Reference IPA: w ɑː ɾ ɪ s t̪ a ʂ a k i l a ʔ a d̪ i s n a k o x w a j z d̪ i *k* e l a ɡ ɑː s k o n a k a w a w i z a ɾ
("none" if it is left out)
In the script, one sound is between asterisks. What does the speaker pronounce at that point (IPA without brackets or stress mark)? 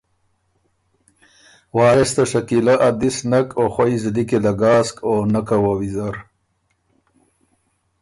k